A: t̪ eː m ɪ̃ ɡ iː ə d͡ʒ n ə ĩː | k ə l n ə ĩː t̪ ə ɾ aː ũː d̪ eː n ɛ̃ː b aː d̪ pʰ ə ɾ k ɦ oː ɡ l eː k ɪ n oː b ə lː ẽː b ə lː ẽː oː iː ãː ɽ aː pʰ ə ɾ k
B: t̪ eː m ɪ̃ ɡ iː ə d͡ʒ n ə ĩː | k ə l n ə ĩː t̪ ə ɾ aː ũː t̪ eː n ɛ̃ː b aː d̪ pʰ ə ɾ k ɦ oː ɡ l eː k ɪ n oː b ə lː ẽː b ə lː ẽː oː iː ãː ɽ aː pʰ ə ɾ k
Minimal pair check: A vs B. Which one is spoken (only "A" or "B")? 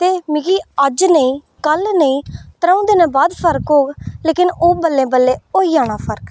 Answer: A